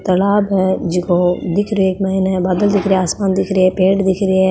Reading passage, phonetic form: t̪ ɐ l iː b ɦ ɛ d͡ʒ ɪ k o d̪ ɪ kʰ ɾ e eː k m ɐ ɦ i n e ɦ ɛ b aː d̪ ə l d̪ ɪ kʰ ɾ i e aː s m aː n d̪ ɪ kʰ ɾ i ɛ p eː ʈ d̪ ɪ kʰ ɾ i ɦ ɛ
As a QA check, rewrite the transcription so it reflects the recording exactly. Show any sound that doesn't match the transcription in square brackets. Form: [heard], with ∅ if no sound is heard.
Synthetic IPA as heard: t̪ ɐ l [aː] b ɦ ɛ d͡ʒ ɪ k o d̪ ɪ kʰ ɾ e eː k m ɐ ɦ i n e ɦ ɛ b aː d̪ ə l d̪ ɪ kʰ ɾ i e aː s m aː n d̪ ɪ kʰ ɾ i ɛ p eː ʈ d̪ ɪ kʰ ɾ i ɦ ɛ